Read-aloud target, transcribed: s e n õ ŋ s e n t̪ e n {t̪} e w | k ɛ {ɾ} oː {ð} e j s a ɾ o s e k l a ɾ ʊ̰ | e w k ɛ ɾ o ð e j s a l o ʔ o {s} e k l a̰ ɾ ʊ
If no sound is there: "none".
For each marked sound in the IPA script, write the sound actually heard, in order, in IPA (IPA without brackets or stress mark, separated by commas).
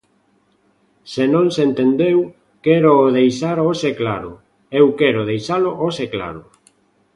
d̪, ɾ, ð, s